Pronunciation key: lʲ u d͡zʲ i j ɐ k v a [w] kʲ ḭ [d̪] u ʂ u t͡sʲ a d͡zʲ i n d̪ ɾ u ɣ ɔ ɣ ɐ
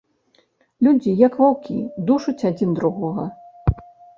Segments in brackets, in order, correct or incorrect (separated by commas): correct, correct